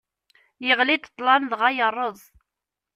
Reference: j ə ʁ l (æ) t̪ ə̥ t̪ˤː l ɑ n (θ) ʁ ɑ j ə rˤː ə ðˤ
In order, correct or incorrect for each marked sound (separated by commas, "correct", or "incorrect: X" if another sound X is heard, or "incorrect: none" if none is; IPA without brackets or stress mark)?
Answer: incorrect: i, incorrect: ð